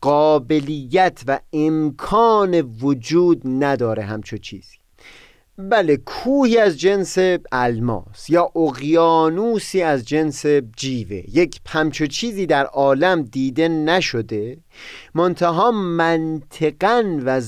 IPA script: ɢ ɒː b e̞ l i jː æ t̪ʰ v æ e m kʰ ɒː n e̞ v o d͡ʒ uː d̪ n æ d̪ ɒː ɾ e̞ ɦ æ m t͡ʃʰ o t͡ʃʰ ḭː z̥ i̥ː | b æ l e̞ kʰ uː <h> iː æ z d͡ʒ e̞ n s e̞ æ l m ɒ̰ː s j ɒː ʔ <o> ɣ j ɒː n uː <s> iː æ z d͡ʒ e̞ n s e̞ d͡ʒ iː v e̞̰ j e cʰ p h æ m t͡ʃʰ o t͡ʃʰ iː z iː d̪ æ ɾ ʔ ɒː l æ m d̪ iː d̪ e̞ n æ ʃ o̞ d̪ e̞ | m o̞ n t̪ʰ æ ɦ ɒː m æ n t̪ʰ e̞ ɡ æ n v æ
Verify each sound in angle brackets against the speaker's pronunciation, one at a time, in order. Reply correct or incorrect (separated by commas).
correct, correct, correct